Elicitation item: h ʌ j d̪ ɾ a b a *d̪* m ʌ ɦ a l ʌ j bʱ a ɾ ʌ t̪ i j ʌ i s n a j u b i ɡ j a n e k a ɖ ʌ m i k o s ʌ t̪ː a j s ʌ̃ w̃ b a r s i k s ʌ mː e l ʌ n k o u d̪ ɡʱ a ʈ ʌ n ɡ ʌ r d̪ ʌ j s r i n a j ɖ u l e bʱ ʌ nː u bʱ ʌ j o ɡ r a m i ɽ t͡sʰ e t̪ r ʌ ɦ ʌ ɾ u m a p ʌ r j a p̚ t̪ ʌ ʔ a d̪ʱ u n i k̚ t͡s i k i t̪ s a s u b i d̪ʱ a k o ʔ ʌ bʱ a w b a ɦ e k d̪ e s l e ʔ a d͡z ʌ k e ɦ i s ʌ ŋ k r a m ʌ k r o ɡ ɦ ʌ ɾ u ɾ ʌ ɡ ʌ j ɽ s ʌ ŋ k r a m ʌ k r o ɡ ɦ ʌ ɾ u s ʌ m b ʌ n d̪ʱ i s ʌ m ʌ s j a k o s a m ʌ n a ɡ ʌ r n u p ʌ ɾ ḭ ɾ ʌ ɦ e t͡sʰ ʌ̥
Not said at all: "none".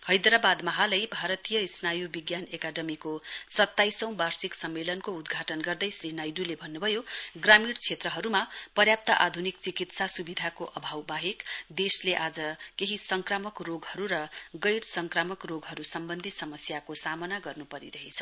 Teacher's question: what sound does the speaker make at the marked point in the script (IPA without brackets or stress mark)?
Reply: d̪